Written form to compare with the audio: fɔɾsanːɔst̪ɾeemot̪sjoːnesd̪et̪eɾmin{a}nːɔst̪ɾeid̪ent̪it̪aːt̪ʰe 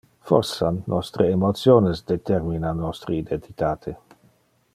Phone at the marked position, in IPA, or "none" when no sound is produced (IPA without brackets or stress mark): a